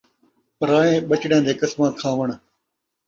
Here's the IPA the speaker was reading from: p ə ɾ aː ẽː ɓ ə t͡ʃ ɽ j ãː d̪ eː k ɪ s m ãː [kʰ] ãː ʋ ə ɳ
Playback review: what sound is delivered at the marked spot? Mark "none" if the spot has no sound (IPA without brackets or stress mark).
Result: kʰ